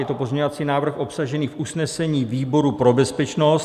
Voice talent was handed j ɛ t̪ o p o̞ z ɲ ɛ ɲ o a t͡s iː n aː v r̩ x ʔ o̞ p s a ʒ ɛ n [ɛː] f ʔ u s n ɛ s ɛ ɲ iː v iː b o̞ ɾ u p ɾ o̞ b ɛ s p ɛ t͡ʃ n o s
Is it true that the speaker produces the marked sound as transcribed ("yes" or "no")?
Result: no